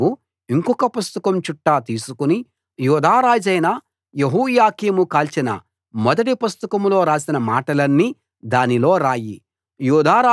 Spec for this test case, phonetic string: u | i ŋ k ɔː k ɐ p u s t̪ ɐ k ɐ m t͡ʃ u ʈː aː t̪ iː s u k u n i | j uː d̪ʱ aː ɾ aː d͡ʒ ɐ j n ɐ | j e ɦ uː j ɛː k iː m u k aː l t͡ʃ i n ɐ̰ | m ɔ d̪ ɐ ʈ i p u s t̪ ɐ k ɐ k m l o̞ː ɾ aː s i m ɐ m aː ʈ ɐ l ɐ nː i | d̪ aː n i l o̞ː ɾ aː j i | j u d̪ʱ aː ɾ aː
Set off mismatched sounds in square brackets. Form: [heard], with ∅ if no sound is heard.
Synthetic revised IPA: u | i ŋ k [ɔ] k ɐ p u s t̪ ɐ k ɐ m t͡ʃ u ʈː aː t̪ iː s u k u n i | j uː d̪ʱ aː ɾ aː d͡ʒ ɐ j n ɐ | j e ɦ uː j [aː] k iː m u k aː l t͡ʃ i n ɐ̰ | m ɔ d̪ ɐ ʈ i p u s t̪ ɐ k ɐ [∅] m l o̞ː ɾ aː s i [n] ɐ m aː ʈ ɐ l ɐ nː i | d̪ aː n i l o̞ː ɾ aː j i | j [uː] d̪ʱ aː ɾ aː